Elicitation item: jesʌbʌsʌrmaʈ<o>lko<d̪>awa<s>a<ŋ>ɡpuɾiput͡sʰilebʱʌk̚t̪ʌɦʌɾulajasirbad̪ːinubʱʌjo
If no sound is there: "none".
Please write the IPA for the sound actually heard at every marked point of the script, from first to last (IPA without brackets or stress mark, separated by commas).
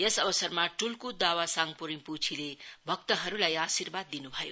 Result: u, d̪, s, ŋ